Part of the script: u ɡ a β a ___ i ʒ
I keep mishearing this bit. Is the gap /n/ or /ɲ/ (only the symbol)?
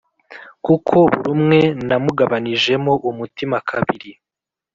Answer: n